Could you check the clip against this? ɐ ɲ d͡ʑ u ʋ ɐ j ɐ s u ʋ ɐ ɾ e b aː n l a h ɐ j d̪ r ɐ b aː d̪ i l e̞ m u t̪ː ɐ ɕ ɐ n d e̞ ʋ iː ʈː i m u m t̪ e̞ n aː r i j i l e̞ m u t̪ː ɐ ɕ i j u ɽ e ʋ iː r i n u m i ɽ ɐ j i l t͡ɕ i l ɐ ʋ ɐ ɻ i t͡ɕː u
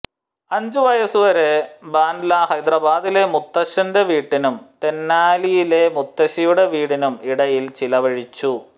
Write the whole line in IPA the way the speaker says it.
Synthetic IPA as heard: ɐ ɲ d͡ʑ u ʋ ɐ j ɐ s u ʋ ɐ ɾ e b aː n l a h ɐ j d̪ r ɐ b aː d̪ i l e̞ m u t̪ː ɐ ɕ ɐ n d e̞ ʋ iː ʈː i n u m t̪ e̞ nː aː l i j i l e̞ m u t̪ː ɐ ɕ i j u ɽ e ʋ iː ɽ i n u m i ɽ ɐ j i l t͡ɕ i l ɐ ʋ ɐ ɻ i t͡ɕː u